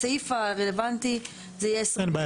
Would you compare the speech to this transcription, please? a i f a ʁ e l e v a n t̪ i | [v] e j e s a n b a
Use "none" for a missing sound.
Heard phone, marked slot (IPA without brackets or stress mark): z